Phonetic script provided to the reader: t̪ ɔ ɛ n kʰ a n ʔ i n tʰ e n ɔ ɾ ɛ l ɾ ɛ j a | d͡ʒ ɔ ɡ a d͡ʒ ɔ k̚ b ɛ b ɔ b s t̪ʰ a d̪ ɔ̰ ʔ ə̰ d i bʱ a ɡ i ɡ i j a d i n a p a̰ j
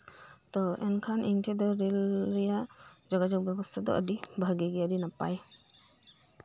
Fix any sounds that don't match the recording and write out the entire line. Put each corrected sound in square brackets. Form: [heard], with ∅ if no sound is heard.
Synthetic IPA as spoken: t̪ ɔ ɛ n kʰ a n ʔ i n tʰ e [d] ɔ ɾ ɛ l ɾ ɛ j a | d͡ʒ ɔ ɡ a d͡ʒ ɔ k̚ b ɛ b ɔ [∅] s t̪ʰ a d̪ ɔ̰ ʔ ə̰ d i bʱ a ɡ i ɡ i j a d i n a p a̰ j